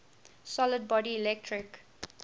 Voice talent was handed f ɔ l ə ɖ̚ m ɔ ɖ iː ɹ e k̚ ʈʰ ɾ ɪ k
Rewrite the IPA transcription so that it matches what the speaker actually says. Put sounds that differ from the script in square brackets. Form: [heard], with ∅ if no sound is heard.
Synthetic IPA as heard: [s] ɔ l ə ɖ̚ [b] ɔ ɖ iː [l] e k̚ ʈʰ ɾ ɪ k